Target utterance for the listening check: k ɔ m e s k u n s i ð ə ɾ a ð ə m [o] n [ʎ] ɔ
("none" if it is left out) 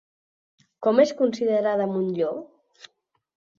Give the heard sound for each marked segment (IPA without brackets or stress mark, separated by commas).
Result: u, ʎ